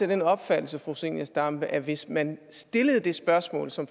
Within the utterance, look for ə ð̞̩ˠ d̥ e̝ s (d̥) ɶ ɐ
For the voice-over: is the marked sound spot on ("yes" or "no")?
no